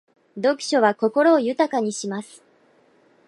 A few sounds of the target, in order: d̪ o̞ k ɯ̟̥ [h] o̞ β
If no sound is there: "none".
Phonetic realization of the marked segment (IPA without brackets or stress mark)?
ɕ